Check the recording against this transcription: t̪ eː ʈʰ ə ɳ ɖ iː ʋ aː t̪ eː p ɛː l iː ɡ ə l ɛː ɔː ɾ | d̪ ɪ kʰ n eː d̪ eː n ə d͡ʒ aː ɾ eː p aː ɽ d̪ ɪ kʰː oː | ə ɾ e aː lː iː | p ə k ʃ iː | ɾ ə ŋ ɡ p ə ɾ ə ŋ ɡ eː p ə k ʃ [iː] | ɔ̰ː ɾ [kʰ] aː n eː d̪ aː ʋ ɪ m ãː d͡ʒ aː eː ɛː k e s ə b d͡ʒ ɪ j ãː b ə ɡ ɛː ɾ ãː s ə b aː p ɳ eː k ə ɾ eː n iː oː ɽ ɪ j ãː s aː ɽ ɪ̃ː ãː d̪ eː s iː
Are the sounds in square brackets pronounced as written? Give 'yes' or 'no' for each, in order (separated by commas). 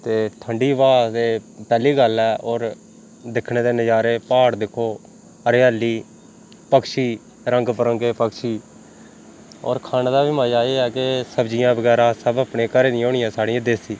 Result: yes, yes